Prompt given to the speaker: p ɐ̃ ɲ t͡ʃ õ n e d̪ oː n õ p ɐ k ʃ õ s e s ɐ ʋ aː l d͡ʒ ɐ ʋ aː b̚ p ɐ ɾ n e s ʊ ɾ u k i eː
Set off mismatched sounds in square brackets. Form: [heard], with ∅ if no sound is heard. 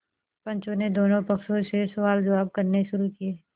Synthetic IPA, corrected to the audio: p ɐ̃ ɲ t͡ʃ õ n e d̪ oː n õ p ɐ k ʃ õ s e s ɐ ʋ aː l d͡ʒ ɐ ʋ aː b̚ [k] ɐ ɾ n e [ʃ] ʊ ɾ u k i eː